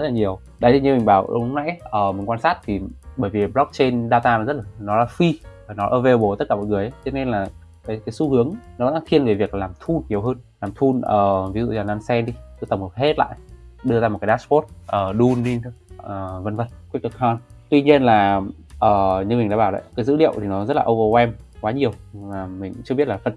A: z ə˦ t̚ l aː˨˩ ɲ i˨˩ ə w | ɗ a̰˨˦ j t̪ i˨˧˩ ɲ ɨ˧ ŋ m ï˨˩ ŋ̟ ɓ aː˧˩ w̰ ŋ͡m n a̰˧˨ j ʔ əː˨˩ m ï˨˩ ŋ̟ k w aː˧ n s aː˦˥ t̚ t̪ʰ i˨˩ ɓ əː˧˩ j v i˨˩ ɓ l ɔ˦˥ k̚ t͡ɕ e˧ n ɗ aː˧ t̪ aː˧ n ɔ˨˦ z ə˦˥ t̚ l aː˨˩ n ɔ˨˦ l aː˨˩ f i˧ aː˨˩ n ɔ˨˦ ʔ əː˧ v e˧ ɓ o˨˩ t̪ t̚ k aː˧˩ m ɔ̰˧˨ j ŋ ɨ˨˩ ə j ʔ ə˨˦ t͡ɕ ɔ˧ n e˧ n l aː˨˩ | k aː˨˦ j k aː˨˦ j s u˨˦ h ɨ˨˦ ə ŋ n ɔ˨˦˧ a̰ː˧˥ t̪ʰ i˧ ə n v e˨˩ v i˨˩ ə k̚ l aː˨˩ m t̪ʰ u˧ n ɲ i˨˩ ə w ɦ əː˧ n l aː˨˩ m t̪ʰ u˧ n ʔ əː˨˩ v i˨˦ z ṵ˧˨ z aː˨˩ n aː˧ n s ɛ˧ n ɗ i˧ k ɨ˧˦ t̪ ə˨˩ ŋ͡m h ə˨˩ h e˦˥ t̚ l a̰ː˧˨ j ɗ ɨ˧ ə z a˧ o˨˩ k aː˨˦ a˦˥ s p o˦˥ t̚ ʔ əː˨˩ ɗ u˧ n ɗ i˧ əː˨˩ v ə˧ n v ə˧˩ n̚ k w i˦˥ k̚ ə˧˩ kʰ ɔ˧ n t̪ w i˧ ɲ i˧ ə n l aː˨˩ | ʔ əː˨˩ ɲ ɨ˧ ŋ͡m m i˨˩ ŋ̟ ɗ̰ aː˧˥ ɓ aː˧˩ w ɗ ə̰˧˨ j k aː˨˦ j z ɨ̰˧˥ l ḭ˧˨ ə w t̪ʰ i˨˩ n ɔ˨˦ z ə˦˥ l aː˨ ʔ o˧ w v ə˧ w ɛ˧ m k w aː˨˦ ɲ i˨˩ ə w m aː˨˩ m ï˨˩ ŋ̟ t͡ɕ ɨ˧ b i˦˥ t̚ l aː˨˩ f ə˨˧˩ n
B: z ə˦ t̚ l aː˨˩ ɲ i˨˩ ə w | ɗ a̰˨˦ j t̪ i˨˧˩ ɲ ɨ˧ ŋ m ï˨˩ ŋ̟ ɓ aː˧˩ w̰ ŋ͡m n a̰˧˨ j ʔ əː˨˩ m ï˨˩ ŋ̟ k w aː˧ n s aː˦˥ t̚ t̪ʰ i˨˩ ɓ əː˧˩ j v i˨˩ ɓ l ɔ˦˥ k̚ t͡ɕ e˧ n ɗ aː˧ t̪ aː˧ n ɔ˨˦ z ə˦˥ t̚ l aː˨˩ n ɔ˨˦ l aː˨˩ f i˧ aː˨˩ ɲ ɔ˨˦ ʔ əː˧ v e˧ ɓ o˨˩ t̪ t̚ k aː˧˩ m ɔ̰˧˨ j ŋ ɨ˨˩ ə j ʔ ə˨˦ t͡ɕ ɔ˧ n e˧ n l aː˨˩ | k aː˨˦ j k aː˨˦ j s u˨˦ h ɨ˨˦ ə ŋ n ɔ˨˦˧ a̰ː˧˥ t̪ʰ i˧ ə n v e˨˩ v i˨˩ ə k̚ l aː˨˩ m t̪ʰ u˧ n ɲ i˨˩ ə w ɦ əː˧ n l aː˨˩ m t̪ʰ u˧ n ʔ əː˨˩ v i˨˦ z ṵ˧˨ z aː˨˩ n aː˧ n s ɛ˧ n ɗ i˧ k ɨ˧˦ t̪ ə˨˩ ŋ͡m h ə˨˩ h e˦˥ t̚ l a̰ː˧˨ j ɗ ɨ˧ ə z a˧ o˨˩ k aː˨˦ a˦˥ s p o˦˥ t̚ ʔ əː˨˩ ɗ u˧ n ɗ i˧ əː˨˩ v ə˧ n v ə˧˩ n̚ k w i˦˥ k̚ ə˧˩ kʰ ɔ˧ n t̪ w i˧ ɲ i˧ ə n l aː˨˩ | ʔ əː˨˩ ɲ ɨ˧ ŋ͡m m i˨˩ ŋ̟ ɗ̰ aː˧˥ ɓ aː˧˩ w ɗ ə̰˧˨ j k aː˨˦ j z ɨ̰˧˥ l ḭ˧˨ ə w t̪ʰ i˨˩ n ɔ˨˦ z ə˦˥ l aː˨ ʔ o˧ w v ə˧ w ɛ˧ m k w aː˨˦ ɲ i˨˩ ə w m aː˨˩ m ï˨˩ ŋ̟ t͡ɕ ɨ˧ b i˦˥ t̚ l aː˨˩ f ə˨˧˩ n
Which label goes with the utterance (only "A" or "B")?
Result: A